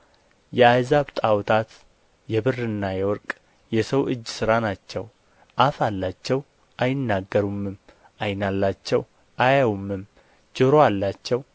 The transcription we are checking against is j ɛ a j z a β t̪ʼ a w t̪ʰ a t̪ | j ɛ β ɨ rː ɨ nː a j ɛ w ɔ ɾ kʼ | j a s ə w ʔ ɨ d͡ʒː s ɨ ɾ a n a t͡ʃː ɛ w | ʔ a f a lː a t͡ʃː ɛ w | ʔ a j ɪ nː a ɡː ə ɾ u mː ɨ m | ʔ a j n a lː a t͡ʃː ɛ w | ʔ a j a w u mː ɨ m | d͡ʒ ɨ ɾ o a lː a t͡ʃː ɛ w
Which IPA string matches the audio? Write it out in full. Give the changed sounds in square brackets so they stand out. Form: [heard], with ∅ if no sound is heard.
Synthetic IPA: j ɛ a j z a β t̪ʼ a w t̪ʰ a t̪ | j ɛ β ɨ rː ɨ nː a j ɛ w ɔ ɾ kʼ | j [ɛ] s ə w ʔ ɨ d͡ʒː s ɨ ɾ a n a t͡ʃː ɛ w | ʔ a f a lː a t͡ʃː ɛ w | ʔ a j ɪ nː a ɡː ə ɾ u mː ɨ m | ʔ a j n a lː a t͡ʃː ɛ w | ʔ a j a w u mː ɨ m | d͡ʒ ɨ ɾ o a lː a t͡ʃː ɛ w